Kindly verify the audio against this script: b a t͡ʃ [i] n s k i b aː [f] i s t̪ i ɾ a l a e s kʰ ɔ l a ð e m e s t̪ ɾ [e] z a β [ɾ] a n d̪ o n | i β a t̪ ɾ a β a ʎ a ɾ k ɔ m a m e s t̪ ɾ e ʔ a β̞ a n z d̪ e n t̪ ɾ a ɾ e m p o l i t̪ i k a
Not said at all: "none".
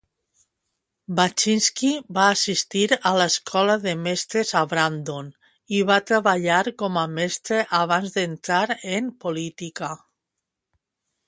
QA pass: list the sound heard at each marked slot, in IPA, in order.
i, s, e, ɾ

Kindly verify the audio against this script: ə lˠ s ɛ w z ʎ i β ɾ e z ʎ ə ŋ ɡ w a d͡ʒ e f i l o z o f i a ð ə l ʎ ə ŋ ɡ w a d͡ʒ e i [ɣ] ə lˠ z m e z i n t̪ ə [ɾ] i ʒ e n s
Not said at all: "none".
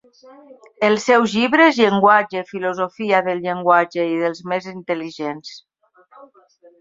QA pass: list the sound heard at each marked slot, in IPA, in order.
ð, l

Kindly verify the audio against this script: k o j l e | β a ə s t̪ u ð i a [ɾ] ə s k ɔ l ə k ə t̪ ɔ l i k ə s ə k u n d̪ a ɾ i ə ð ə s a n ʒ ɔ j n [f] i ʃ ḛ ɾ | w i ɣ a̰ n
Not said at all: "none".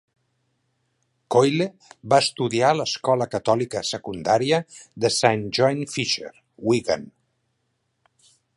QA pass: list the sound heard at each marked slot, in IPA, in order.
l, f

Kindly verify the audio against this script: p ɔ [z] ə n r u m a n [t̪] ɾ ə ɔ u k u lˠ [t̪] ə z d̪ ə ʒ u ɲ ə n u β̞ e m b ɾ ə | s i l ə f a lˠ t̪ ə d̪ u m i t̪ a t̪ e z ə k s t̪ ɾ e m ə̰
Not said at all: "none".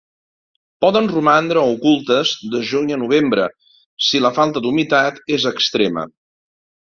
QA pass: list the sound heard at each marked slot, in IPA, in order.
ð, d̪, t̪

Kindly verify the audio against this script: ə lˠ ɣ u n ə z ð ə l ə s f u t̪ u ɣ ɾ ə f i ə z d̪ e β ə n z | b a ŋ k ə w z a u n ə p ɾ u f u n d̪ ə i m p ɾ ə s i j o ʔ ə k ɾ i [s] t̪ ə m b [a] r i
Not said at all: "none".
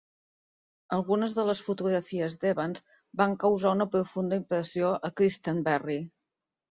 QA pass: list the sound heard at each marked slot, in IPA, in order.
s, ɛ

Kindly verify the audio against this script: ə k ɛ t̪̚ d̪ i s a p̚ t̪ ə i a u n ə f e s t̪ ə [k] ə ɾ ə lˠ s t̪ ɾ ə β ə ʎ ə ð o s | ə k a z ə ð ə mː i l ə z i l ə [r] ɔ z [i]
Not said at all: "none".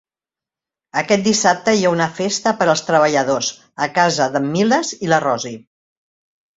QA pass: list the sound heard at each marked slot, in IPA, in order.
p, r, i

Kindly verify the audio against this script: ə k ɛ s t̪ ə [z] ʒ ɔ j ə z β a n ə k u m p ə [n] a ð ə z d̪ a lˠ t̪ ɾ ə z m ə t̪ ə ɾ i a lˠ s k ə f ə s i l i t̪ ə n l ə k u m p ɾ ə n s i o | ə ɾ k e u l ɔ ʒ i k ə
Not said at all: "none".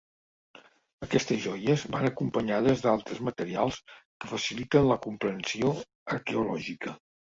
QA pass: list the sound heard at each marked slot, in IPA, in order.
z, ɲ

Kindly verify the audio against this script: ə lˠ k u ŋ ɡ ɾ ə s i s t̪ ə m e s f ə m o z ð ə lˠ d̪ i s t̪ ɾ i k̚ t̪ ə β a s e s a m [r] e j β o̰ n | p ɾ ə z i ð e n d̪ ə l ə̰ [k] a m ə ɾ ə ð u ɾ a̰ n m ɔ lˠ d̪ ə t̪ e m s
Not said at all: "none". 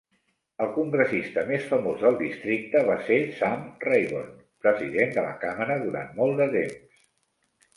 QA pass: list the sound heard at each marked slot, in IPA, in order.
r, k

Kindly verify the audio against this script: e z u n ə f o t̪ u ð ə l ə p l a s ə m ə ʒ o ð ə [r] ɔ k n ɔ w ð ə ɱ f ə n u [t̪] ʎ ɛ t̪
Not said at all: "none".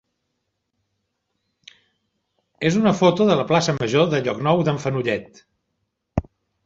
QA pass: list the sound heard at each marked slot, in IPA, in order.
ʎ, none

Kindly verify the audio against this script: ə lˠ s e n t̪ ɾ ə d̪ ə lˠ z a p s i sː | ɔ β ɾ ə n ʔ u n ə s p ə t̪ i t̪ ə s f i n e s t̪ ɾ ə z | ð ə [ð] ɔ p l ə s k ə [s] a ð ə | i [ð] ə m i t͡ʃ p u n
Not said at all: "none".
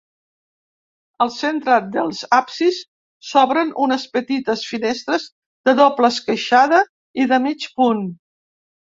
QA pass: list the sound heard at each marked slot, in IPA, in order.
ð, ʃ, ð

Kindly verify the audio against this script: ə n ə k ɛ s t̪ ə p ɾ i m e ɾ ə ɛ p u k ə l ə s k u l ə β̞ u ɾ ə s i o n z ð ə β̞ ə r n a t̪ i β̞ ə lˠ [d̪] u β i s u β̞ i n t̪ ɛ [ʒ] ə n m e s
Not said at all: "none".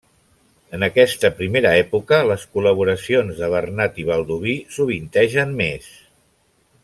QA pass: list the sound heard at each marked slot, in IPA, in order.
d̪, ʒ

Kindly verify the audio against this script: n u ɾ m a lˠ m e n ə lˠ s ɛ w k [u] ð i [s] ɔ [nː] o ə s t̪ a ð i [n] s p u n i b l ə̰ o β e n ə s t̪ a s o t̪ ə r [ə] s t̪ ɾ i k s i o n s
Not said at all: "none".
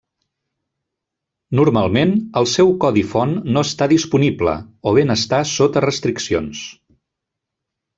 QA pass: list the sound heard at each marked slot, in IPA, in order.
ɔ, f, nː, none, ə

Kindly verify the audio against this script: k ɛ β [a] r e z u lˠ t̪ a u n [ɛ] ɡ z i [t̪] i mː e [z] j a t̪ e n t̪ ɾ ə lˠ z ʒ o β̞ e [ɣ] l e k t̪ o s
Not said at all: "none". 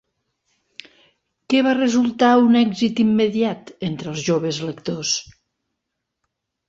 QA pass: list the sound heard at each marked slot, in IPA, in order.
a, ɛ, t̪, ð, z

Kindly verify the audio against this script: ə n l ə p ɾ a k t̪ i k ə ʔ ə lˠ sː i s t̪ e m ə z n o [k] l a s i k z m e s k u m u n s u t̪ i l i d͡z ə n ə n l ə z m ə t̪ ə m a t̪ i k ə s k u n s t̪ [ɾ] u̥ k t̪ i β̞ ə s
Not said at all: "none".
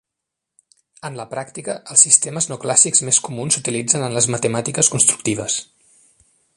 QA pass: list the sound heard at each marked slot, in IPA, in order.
k, ɾ

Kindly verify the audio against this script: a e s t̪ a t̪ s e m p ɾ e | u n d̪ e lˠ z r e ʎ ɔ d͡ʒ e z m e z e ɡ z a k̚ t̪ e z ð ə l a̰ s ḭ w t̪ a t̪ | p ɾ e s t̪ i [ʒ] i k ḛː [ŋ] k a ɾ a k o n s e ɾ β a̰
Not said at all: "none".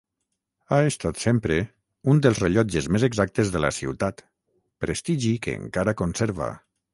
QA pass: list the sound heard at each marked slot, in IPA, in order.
ʒ, ŋ

